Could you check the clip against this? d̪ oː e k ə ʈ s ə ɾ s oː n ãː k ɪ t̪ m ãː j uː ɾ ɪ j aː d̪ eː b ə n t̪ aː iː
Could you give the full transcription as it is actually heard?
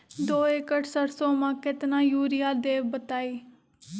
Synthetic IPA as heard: d̪ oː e k ə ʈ s ə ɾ s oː m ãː k ɪ t̪ n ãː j uː ɾ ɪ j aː d̪ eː b ə t̪ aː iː